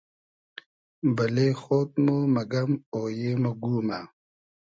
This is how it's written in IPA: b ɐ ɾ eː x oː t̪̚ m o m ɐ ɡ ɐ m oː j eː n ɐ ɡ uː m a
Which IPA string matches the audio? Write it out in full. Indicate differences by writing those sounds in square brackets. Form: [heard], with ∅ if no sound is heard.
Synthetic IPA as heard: b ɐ [l] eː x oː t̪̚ m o m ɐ ɡ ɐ m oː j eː [m] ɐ ɡ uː m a